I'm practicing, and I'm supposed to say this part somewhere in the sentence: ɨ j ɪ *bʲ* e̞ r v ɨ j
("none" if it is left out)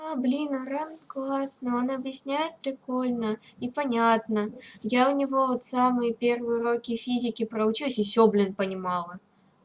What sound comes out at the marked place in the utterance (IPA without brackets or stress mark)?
pʲ